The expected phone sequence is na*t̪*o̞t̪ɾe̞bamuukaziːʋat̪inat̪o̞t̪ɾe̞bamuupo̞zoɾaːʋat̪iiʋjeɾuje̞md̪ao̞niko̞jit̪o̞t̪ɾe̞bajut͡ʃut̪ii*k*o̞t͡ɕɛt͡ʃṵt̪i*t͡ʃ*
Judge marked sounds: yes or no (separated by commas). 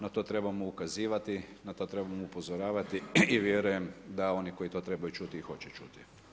yes, no, no